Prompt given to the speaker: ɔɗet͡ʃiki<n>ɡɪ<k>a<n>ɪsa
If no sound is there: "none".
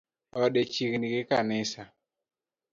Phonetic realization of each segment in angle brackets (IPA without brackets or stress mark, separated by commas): n, k, n